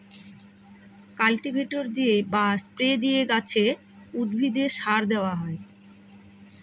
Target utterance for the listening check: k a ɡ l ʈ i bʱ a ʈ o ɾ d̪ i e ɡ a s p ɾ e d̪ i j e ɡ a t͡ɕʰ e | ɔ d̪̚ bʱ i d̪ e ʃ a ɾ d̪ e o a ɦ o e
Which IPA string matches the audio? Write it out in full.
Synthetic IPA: k a l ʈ i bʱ e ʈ o ɾ d̪ i e b a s p ɾ e d̪ i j e ɡ a t͡ɕʰ e | u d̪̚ bʱ i d̪ e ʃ a ɾ d̪ e o a ɦ ɔ e

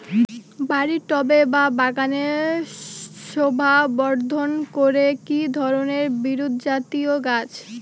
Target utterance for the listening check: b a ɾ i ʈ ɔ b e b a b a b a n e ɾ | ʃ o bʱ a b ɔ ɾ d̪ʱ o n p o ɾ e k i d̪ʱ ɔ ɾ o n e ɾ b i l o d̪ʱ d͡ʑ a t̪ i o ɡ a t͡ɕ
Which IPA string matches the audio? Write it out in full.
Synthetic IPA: b a ɾ i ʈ ɔ b e b a b a ɡ a n e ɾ | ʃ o bʱ a b ɔ ɾ d̪ʱ o n k o ɾ e k i d̪ʱ ɔ ɾ o n e ɾ b i ɾ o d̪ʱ d͡ʑ a t̪ i o ɡ a t͡ɕ

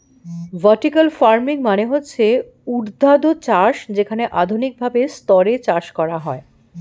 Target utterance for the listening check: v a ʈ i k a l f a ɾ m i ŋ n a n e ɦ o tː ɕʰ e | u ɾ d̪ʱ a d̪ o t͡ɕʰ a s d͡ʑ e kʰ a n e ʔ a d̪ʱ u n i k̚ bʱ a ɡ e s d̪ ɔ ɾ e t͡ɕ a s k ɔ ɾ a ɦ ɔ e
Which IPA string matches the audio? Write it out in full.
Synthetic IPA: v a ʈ i k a l f a ɾ m i ŋ m a n e ɦ o tː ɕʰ e | u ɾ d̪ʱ a d̪ o t͡ɕ a ʃ d͡ʑ e kʰ a n e ʔ a d̪ʱ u n i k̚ bʱ a b e s t̪ ɔ ɾ e t͡ɕ a ʃ k ɔ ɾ a ɦ ɔ e

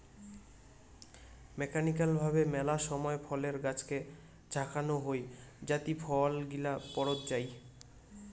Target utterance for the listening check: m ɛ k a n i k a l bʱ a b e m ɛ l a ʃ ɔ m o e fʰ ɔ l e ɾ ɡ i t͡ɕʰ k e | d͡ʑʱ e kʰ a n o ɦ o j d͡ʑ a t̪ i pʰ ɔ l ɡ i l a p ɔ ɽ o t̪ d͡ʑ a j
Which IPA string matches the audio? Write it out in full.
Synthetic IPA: m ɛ k a n i k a l bʱ a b e m ɛ l a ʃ ɔ m ɔ e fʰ ɔ l e ɾ ɡ a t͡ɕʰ k e | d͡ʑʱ a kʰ a n o ɦ o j d͡ʑ a t̪ i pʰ ɔ l ɡ i l a p ɔ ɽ o t̪ d͡ʑ a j

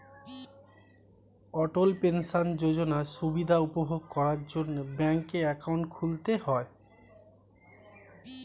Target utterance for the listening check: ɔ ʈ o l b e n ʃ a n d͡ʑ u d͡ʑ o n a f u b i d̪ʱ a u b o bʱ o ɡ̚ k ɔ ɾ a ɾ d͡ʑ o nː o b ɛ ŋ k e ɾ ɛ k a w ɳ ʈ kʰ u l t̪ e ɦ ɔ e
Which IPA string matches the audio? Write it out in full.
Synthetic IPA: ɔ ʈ o l p e n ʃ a n d͡ʑ o d͡ʑ o n a ʃ u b i d̪ʱ a u p o bʱ o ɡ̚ k ɔ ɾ a ɾ d͡ʑ o nː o b ɛ ŋ k e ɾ ɛ k a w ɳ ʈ kʰ u l t̪ e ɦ ɔ e

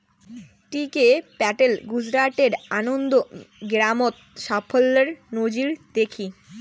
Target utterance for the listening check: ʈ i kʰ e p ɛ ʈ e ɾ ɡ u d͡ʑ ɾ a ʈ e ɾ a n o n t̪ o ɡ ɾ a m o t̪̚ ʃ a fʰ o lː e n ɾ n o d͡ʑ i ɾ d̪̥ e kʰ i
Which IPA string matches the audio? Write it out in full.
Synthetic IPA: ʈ i k e p ɛ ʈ e l ɡ u d͡ʑ ɾ a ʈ e ɾ a n o n d̪ o ɡ ɾ a m o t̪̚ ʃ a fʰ o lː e ɾ n o d͡ʑ i ɾ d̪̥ e kʰ i

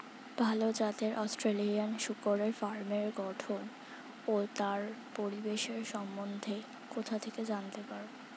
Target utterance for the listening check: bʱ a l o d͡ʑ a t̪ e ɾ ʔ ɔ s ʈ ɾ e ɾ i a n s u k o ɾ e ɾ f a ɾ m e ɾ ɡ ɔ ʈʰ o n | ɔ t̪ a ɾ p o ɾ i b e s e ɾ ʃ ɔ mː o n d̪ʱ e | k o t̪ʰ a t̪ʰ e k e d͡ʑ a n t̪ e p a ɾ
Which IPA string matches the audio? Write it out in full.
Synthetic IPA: bʱ a l o d͡ʑ a t̪ e ɾ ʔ ɔ s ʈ ɾ e l i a n ʃ u k o ɾ e ɾ f a ɾ m e ɾ ɡ ɔ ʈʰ o n | o t̪ a ɾ p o ɾ i b e ʃ e ɾ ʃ ɔ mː o n d̪ʱ e | k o t̪ʰ a t̪ʰ e k e d͡ʑ a n t̪ e p a ɾ

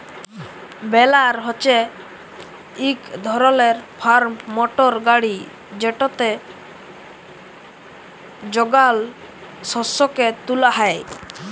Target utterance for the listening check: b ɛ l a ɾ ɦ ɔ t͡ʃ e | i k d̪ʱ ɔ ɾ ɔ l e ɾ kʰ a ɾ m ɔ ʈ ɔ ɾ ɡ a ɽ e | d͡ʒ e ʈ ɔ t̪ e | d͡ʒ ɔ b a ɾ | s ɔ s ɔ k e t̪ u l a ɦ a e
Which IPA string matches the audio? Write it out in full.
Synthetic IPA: b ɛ l a ɾ ɦ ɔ t͡ʃ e | i k d̪ʱ ɔ ɾ ɔ l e ɾ pʰ a ɾ m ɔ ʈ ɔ ɾ ɡ a ɽ i | d͡ʒ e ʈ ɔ t̪ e | d͡ʒ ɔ ɡ a l | s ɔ s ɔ k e t̪ u l a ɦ a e

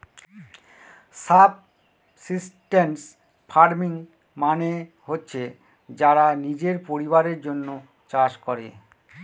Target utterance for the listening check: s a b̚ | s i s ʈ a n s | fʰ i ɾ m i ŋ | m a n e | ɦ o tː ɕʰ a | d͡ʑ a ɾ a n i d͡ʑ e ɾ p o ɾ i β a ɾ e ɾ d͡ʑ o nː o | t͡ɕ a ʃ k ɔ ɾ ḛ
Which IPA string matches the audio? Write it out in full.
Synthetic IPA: s a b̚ | s i s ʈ e n s | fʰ a ɾ m i ŋ | m a n e | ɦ o tː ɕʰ e | d͡ʑ a ɾ a n i d͡ʑ e ɾ p o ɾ i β a ɾ e ɾ d͡ʑ o nː o | t͡ɕ a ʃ k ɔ ɾ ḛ

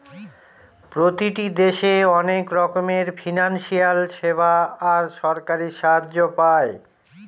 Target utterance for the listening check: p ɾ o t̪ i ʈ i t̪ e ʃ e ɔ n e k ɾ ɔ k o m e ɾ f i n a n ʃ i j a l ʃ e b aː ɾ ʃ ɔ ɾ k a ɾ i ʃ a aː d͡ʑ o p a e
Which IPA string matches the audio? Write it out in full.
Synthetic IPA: p ɾ o t̪ i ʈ i d̪ e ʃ e ɔ n e k ɾ ɔ k o m e ɾ f i n a n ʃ i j a l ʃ e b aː ɾ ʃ ɔ ɾ k a ɾ i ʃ a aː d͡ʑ o p a e

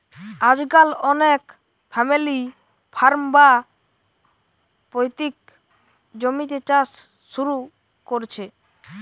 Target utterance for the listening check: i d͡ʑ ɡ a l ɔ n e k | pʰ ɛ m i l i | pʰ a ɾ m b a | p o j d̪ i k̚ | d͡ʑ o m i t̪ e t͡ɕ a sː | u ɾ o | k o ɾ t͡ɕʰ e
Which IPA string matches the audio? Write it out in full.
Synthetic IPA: a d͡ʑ ɡ a l ɔ n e k | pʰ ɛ m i l i | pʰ a ɾ m b a | p o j t̪ i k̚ | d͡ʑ o m i t̪ e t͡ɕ a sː | u ɾ u | k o ɾ t͡ɕʰ e

